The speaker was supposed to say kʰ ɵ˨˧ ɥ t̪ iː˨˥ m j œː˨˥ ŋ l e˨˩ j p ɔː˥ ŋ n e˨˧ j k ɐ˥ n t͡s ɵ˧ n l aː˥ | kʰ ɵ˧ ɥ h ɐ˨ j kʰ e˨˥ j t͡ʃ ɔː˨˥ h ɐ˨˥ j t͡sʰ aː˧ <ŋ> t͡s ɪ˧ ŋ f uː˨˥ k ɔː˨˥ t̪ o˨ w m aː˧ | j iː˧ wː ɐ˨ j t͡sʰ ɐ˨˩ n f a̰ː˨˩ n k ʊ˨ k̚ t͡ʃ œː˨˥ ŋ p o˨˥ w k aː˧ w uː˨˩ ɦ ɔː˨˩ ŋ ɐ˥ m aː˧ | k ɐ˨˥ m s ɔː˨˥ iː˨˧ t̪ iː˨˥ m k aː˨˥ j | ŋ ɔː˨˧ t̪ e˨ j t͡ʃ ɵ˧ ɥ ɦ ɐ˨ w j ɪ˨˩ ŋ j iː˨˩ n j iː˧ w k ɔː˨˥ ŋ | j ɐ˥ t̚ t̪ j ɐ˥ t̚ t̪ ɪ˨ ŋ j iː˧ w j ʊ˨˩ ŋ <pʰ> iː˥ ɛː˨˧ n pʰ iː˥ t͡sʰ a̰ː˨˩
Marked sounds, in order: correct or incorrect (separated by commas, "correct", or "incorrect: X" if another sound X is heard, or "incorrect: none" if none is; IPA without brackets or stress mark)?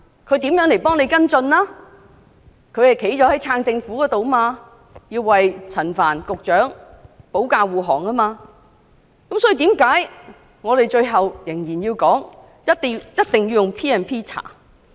correct, correct